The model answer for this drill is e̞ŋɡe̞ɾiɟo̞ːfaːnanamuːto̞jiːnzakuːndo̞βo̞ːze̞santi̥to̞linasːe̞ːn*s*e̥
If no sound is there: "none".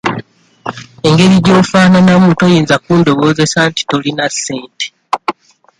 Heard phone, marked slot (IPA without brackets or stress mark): t